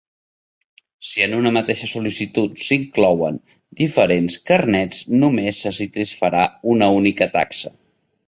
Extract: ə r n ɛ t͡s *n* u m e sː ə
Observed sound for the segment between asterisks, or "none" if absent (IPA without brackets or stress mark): n